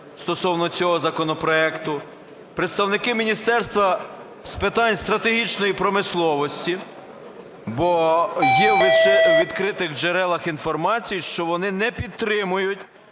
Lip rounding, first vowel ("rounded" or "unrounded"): rounded